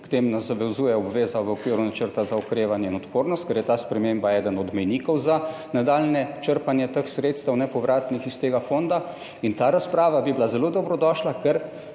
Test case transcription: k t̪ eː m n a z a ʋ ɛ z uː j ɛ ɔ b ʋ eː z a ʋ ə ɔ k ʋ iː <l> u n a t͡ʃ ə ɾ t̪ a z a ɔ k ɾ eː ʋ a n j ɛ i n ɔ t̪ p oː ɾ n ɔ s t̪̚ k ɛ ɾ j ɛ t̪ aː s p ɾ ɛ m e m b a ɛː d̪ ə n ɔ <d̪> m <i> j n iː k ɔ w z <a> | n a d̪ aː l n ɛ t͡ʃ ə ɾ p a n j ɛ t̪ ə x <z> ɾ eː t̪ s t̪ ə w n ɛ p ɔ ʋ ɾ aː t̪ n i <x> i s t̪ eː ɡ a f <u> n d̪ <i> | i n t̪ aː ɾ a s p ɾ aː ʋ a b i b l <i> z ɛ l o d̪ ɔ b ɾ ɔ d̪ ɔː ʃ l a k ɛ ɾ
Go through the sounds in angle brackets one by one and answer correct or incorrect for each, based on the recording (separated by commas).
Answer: incorrect, correct, incorrect, correct, incorrect, correct, incorrect, incorrect, incorrect